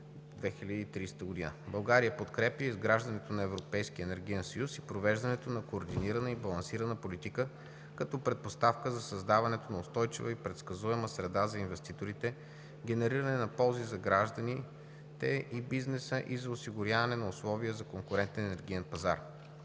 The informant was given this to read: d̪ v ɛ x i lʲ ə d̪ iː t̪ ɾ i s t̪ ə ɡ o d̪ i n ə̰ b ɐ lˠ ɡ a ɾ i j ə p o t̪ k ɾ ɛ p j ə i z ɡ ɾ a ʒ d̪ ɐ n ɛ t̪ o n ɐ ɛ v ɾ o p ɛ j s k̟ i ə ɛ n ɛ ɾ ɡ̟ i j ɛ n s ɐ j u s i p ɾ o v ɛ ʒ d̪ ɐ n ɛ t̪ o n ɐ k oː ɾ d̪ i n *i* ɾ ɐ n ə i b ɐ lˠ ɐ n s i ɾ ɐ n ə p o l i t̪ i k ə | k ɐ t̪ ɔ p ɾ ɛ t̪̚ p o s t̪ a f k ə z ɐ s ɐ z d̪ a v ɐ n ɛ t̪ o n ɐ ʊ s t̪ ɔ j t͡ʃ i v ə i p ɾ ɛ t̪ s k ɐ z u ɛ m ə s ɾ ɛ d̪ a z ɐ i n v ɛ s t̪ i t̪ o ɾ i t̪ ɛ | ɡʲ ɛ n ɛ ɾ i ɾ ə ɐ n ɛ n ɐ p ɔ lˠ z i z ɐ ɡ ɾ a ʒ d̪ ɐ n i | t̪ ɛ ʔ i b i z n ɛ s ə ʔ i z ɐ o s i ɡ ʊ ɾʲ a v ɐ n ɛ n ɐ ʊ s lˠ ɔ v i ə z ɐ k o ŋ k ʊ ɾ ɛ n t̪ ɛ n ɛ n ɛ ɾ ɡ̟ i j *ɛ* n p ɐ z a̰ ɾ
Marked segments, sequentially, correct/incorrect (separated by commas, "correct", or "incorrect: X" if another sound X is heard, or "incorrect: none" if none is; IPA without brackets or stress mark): correct, correct